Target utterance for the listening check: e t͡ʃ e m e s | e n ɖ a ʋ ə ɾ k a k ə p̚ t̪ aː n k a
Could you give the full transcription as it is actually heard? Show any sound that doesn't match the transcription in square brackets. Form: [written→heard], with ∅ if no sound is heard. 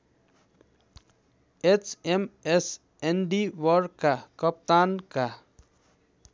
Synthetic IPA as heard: e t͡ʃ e m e s | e n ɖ [a→i] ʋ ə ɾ k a k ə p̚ t̪ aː n k a